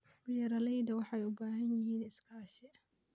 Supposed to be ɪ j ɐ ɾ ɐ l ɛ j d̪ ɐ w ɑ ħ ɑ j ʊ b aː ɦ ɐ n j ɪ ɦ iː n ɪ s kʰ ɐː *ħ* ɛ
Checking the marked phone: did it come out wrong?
yes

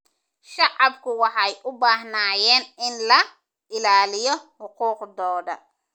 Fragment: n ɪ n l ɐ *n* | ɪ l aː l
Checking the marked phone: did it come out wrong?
yes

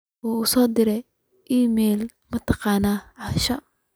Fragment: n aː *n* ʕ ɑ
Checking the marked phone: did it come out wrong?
yes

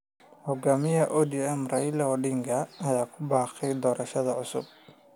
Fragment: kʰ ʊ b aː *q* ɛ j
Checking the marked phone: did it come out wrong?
no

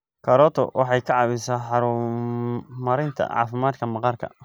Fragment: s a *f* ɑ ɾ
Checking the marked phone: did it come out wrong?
yes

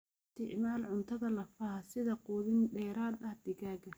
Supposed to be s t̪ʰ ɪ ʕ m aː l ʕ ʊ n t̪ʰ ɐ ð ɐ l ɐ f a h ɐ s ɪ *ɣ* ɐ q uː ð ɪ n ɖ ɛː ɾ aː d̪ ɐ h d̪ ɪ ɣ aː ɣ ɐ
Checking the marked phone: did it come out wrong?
yes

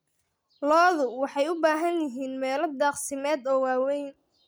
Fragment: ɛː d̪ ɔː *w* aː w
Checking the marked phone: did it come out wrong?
no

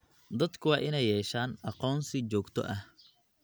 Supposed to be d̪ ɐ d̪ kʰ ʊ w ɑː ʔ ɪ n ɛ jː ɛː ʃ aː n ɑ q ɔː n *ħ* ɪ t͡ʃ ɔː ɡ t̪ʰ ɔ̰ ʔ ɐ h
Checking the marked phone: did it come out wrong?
yes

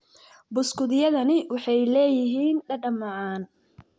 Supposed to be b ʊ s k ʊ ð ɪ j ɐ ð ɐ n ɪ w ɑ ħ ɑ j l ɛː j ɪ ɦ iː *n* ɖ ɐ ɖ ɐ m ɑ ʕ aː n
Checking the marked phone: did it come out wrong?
no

